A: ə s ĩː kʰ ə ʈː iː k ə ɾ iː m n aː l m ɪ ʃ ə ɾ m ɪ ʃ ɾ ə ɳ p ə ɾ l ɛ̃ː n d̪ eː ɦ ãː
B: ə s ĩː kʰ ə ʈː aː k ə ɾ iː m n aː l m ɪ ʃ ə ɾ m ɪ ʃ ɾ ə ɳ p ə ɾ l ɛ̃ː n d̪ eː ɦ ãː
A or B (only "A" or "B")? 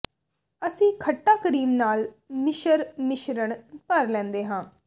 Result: B